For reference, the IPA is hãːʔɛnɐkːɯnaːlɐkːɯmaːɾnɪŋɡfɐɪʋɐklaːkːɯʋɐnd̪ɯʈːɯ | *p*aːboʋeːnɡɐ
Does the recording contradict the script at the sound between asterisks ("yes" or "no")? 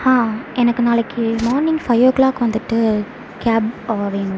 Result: yes